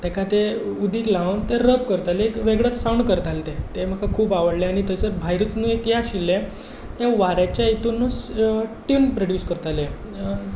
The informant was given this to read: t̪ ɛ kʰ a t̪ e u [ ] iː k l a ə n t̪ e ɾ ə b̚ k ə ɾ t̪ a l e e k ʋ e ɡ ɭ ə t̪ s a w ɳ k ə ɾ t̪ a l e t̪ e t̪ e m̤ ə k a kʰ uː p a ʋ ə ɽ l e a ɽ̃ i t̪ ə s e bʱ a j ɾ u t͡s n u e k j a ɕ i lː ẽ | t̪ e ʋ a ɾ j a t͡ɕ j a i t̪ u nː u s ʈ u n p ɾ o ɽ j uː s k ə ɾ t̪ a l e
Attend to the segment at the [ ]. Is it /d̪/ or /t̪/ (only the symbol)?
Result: d̪